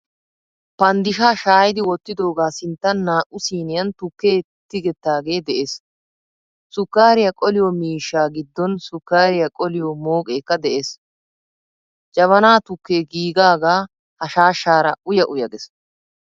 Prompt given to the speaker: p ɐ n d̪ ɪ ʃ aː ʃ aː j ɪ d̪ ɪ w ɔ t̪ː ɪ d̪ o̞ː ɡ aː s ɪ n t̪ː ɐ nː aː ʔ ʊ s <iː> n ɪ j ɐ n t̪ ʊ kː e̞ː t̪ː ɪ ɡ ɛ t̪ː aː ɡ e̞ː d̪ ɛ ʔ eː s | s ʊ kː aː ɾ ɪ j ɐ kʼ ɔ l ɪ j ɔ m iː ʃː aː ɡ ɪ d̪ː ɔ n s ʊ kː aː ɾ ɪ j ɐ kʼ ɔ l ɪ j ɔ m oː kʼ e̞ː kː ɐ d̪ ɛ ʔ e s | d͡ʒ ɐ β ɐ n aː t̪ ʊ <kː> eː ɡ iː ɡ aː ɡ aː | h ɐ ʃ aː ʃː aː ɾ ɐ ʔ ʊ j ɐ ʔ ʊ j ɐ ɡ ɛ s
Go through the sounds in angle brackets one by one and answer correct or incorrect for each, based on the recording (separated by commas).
correct, correct